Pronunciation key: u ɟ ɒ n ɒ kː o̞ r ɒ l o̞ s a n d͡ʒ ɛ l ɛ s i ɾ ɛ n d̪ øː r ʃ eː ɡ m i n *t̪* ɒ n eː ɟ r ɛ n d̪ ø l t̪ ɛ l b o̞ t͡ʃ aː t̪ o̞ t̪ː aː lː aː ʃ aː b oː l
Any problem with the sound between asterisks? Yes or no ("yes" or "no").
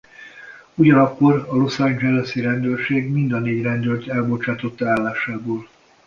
yes